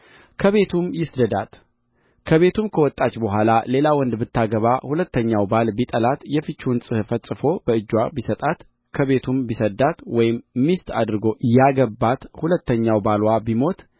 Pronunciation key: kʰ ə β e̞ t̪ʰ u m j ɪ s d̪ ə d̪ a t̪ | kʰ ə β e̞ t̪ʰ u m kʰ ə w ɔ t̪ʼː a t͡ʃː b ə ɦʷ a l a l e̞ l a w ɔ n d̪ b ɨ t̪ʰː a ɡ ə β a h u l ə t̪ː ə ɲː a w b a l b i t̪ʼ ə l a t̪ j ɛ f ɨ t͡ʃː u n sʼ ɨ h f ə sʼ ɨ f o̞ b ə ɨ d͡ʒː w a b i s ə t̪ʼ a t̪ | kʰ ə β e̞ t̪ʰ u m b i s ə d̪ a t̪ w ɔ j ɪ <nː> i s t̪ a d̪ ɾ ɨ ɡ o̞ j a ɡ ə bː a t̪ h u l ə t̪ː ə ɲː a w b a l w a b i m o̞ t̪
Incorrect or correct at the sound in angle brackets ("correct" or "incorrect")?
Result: incorrect